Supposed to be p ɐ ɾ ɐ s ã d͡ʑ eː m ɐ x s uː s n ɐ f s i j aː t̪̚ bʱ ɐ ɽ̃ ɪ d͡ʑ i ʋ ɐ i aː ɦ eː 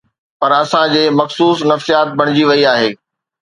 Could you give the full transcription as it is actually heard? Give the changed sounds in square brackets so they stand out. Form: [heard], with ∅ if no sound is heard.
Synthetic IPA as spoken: p ɐ ɾ ɐ s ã d͡ʑ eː m ɐ x s uː s n ɐ f s i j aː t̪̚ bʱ ɐ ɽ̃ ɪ d͡ʑ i ʋ ɐ i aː ɦ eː